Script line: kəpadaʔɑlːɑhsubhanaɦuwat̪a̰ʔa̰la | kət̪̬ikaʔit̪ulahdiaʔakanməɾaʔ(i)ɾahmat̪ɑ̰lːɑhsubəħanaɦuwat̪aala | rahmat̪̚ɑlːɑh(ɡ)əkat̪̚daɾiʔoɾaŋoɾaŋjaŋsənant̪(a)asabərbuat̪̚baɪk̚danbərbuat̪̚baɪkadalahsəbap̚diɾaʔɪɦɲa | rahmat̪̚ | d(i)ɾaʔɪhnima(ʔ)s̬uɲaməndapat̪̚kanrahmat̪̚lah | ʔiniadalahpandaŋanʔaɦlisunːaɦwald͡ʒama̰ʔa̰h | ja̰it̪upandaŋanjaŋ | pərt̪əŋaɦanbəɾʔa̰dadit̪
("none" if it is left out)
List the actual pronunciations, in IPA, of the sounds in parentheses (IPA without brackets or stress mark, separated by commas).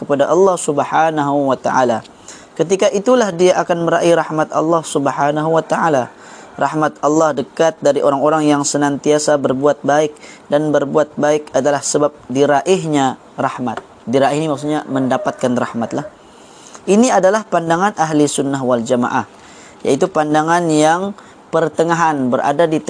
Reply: i, d, i, i, k